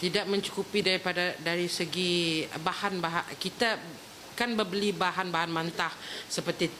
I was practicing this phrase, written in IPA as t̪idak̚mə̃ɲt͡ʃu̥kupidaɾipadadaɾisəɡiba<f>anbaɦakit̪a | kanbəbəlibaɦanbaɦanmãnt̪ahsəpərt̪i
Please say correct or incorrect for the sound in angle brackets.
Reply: incorrect